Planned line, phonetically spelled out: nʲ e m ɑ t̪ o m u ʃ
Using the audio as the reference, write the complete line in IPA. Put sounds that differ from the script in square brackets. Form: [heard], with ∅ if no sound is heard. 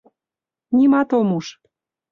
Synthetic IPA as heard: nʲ [i] m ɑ t̪ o m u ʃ

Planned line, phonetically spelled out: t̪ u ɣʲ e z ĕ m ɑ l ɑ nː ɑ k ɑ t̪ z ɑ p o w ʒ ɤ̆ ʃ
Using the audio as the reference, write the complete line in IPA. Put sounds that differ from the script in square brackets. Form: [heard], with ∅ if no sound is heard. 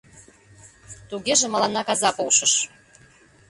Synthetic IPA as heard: t̪ u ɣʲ e [ʒ] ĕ m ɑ l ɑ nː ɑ k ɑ [∅] z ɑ p o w [ʃ] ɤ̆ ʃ

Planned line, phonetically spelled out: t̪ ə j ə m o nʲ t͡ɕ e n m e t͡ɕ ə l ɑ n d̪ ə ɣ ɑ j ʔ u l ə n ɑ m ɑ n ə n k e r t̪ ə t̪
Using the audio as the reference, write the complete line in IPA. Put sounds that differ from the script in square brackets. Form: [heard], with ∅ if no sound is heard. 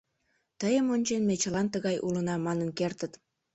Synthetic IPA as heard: t̪ ə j ə m o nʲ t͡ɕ e n m e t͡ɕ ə l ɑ n [t̪] ə ɣ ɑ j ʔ u l ə n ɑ m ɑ n ə n k e r t̪ ə t̪

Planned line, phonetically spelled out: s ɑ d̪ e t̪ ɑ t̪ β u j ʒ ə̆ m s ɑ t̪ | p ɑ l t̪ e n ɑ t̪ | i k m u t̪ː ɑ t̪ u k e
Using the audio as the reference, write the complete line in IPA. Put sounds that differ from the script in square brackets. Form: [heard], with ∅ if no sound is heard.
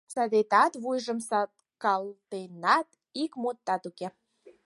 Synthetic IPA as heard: s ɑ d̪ e t̪ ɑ t̪ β u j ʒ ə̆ m s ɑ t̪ | [k] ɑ l t̪ e n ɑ t̪ | i k m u t̪ː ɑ t̪ u k e

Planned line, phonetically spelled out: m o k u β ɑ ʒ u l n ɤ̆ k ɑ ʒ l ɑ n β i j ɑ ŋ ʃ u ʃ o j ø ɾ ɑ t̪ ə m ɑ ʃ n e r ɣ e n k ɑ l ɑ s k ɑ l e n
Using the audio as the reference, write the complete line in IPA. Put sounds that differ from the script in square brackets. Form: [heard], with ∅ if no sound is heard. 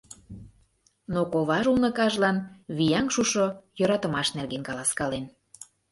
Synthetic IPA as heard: [n] o k [o] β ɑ ʒ u l n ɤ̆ k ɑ ʒ l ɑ n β i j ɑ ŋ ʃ u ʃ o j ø ɾ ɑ t̪ ə m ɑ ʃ n e r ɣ e n k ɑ l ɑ s k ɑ l e n

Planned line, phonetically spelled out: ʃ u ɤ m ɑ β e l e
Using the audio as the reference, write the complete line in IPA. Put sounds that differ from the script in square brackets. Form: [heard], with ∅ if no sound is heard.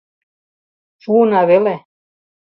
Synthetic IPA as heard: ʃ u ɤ [n] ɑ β e l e

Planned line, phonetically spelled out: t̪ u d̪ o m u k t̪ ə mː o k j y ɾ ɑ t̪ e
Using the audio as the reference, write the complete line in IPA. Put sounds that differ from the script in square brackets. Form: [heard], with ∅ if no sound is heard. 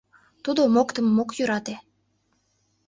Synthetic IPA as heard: t̪ u d̪ o m [o] k t̪ ə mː o k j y ɾ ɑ t̪ e

